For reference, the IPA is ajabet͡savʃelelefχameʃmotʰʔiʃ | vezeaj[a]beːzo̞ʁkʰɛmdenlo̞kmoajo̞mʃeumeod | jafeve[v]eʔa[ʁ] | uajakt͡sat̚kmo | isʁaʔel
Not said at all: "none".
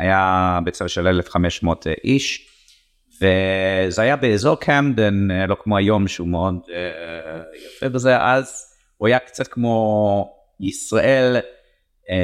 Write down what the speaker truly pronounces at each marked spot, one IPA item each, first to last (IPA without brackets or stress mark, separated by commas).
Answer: a, z, z